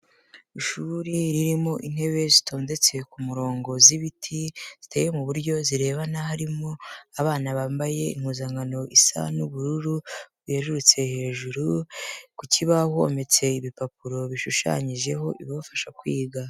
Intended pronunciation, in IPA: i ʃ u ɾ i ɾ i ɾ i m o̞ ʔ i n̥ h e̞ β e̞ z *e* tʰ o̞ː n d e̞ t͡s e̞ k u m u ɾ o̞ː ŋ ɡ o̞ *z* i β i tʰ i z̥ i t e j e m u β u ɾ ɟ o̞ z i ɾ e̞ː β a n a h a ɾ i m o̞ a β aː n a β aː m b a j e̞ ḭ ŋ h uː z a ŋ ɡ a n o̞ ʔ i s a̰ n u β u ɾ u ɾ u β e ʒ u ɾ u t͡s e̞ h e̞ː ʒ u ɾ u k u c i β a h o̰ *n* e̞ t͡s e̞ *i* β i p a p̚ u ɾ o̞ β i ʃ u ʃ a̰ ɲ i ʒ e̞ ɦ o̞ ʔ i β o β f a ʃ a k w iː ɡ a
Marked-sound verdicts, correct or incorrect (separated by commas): incorrect, correct, incorrect, correct